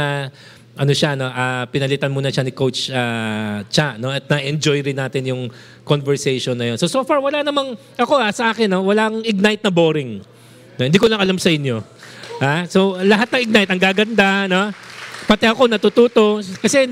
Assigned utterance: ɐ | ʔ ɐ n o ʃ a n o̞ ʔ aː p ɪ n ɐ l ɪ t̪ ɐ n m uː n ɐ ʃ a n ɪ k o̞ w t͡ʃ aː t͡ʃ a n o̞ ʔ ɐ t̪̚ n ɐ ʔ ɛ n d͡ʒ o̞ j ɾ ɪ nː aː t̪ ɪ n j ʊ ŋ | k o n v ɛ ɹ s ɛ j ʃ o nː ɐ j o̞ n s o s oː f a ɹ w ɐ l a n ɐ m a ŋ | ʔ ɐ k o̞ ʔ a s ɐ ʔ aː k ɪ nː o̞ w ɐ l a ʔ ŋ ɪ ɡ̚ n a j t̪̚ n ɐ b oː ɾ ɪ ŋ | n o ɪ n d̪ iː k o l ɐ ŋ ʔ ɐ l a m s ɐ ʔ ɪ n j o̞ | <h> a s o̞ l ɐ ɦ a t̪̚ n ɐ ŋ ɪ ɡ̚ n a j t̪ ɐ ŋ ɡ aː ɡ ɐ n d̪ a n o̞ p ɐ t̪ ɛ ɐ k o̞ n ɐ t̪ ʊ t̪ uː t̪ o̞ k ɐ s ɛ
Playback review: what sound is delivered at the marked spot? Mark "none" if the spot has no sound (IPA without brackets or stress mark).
h